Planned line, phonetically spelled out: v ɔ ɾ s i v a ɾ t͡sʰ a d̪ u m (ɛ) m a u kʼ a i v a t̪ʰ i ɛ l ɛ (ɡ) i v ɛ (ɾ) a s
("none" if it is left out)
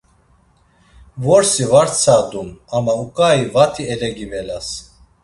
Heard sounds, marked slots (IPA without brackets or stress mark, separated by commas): a, ɡ, l